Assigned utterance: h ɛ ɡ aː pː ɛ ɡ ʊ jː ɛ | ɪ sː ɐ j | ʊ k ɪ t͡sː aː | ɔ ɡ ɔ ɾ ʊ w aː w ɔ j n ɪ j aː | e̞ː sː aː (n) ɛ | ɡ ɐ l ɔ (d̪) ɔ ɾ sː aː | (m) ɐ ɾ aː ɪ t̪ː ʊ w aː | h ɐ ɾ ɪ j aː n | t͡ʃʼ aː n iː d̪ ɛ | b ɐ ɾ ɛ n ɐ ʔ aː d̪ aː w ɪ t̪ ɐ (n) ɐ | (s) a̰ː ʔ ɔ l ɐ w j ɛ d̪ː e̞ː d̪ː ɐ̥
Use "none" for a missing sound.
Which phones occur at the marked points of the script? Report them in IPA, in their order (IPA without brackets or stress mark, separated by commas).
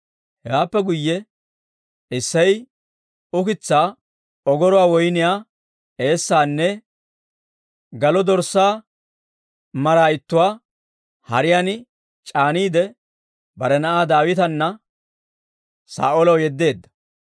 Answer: nː, d̪, m, nː, s